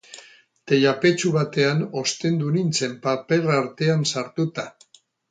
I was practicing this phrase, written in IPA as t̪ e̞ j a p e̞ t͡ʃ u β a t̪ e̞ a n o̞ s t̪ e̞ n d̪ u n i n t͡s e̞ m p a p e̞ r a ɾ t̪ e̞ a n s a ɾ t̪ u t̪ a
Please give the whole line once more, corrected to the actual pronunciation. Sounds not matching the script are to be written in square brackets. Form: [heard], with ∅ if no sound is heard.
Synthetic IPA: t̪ e̞ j a p e̞ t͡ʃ u β a t̪ e̞ a n o̞ s t̪ e̞ n d̪ u n i n t͡s e̞ m p a p e̞ r a ɾ t̪ e̞ a n s a ɾ t̪ u t̪ a